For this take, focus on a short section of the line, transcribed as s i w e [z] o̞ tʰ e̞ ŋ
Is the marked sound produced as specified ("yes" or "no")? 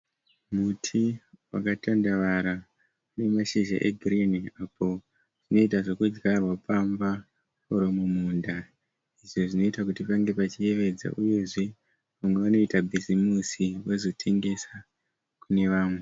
yes